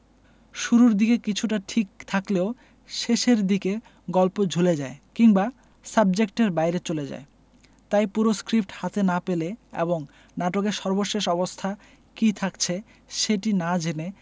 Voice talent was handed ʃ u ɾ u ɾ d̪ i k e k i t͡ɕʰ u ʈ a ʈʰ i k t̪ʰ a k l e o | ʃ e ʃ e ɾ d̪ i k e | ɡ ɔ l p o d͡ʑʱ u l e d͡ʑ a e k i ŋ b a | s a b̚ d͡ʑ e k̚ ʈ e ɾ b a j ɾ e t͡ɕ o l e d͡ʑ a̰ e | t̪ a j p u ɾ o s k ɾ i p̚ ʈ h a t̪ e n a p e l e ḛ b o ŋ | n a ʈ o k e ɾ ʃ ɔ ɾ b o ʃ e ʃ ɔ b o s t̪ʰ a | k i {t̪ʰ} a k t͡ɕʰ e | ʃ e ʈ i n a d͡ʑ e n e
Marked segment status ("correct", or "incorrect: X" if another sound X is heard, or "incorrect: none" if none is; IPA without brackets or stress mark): correct